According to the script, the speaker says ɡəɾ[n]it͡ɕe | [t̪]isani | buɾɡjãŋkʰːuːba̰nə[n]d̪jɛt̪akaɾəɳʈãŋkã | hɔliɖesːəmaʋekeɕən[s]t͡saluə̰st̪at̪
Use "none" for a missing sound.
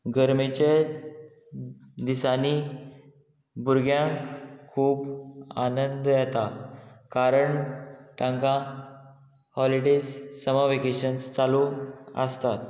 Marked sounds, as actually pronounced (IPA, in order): m, d̪, n, s

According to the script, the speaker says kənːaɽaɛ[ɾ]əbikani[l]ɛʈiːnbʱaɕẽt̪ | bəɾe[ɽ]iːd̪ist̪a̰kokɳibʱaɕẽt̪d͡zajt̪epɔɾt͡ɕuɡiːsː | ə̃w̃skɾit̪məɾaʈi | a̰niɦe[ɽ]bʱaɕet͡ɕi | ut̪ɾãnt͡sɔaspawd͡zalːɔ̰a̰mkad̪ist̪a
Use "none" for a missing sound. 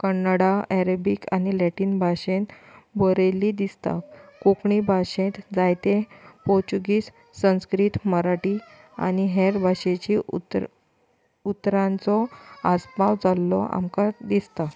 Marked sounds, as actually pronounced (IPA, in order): ɾ, l, l, ɾ

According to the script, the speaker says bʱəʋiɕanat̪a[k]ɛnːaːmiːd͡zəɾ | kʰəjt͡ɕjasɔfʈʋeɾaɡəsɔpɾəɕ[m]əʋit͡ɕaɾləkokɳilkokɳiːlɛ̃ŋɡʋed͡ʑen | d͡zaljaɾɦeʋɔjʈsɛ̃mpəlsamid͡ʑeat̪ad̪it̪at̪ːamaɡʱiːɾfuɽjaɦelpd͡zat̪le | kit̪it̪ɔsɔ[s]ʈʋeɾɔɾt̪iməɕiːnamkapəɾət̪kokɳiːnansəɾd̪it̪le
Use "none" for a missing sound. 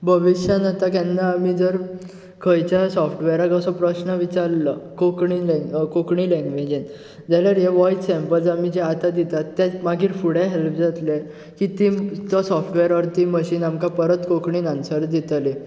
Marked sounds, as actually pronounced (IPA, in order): k, n, f

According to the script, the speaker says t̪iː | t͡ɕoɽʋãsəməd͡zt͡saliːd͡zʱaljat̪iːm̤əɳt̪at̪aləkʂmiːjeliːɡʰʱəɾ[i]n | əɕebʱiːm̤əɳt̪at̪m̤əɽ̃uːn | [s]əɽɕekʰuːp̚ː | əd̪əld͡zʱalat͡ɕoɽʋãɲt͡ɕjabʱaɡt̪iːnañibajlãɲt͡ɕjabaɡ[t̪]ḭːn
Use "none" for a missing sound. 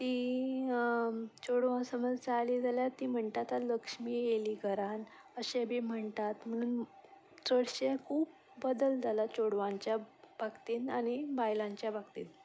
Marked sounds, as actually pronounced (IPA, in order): a, t͡s, t̪

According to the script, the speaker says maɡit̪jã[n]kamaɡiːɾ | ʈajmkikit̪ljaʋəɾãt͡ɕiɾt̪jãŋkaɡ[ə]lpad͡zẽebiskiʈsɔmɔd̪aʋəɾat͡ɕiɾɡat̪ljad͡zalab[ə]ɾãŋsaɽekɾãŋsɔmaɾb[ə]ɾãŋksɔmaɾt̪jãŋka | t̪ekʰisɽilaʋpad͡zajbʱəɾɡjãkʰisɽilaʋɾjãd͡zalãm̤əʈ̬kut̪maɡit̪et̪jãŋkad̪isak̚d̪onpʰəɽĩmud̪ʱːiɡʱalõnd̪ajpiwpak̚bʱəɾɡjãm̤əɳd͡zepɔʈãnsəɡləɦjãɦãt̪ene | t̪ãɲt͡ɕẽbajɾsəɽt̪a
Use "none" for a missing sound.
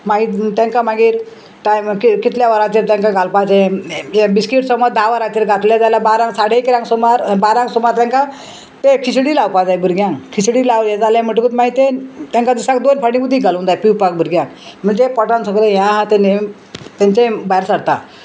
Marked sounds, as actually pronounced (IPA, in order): ŋ, a, a, a

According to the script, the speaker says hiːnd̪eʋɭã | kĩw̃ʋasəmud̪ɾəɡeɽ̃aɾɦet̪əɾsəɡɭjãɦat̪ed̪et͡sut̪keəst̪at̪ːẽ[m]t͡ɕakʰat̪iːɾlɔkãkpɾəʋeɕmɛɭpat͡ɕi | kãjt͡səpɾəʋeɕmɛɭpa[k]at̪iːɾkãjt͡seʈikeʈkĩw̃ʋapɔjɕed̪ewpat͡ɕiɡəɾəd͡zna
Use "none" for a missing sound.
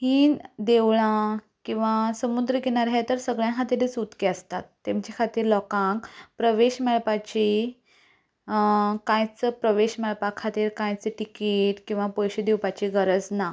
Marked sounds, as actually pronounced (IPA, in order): m, kʰ

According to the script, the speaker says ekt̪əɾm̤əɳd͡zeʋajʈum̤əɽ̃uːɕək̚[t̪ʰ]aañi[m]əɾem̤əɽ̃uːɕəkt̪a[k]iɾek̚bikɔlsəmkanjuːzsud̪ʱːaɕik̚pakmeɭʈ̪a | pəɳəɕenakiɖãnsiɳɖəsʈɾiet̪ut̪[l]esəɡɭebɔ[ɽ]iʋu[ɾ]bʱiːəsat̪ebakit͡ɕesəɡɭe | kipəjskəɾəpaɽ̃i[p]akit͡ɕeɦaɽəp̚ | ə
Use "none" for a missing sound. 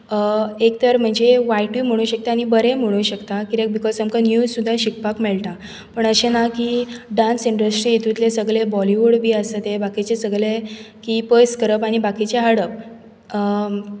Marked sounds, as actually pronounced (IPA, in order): t̪, b, k, l, l, ɽ, b

